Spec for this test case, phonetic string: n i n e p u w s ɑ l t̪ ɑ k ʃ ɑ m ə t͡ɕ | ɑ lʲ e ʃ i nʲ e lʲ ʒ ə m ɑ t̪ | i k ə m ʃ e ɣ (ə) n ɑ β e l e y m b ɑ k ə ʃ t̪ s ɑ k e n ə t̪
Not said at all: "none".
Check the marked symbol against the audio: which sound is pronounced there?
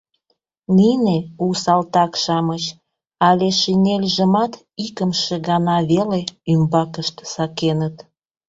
ɑ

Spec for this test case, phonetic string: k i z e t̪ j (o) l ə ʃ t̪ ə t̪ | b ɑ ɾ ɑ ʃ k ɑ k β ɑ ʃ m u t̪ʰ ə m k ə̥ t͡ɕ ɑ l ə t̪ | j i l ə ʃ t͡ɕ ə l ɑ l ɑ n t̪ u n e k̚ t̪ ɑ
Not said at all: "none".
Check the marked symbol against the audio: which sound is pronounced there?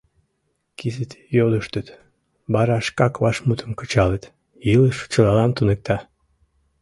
o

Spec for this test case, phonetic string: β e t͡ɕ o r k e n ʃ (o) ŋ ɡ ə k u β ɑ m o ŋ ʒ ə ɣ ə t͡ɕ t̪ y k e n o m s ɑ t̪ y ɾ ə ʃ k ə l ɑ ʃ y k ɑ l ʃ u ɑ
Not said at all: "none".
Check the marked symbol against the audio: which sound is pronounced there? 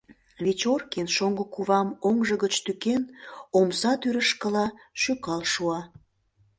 o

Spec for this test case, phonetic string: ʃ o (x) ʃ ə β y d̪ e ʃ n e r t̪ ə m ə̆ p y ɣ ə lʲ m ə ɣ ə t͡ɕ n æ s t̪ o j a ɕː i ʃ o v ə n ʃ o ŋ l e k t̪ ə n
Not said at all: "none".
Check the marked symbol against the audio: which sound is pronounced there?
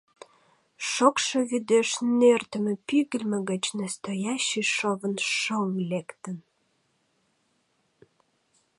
k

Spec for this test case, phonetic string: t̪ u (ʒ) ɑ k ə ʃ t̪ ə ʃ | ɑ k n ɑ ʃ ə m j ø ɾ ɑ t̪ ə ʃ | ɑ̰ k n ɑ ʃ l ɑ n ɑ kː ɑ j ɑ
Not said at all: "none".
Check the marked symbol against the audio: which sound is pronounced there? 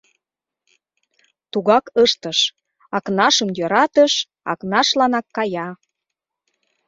ɣ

